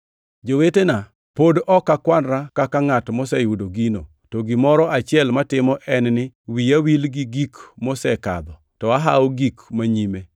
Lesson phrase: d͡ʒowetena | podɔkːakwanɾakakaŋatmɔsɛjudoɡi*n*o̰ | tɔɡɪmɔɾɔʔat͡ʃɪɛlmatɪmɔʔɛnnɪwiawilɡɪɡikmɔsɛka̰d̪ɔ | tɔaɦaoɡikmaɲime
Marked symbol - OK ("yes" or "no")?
yes